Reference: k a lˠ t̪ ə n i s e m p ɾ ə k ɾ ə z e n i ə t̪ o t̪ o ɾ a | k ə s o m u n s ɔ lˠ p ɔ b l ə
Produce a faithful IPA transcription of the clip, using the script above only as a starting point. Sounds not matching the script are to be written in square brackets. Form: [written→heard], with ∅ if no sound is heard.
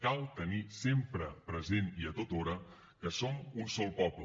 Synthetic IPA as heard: k a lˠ t̪ ə n i s e m p ɾ ə [k→p] ɾ ə z e n i ə t̪ o t̪ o ɾ [a→ə] | k ə s o m u n s ɔ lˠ p ɔ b l ə